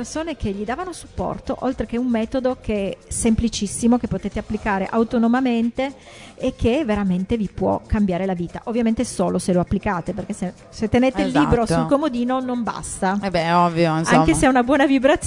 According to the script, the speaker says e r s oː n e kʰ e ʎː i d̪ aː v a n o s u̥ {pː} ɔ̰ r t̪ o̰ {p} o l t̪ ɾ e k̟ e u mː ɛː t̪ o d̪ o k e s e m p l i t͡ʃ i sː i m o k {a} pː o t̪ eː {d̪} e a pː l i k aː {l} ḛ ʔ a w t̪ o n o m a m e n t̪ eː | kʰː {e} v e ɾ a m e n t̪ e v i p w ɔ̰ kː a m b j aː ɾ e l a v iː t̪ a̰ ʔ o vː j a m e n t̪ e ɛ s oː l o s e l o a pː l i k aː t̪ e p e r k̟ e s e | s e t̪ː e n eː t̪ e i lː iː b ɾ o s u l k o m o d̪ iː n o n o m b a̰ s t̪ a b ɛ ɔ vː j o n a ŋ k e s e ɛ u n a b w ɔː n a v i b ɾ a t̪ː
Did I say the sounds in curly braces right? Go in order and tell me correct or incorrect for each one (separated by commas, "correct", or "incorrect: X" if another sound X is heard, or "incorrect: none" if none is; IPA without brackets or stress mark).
correct, incorrect: ʔ, incorrect: e, incorrect: t̪, incorrect: ɾ, correct